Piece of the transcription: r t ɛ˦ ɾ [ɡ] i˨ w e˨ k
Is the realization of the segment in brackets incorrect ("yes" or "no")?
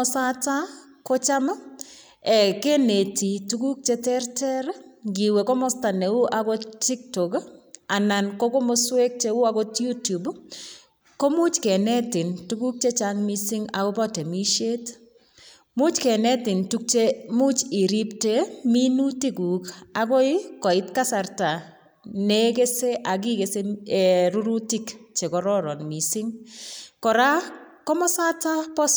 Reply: no